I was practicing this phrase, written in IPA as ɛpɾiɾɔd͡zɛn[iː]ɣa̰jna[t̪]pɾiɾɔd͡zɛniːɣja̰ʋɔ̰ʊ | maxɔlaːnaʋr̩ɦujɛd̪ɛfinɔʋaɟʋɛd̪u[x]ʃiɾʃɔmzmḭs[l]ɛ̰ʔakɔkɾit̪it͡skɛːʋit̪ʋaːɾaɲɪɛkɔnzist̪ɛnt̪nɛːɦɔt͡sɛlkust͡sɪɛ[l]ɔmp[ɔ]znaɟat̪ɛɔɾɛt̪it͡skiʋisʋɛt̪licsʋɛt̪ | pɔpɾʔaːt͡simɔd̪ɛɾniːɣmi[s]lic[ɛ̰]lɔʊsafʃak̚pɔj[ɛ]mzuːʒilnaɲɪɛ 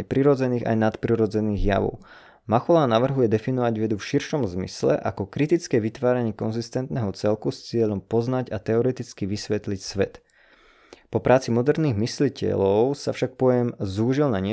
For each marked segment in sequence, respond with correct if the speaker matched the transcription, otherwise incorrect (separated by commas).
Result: correct, correct, incorrect, correct, incorrect, correct, correct, correct, correct